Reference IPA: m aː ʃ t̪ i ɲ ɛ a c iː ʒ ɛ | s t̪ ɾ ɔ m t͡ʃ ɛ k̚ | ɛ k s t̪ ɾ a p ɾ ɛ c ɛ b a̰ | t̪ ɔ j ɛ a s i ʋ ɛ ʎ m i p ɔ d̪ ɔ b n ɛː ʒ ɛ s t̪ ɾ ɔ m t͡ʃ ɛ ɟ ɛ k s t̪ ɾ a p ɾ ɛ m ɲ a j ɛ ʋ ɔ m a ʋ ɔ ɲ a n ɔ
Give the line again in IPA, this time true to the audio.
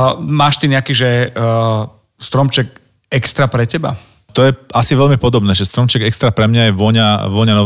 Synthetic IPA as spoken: m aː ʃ t̪ i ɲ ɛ a k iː ʒ ɛ | s t̪ ɾ ɔ m t͡ʃ ɛ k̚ | ɛ k s t̪ ɾ a p ɾ ɛ c ɛ b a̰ | t̪ ɔ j ɛ a s i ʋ ɛ ʎ m i p ɔ d̪ ɔ b n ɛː ʒ ɛ s t̪ ɾ ɔ m t͡ʃ ɛ ɡ ɛ k s t̪ ɾ a p ɾ ɛ m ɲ a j ɛ ʋ ɔ ɲ a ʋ ɔ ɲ a n ɔ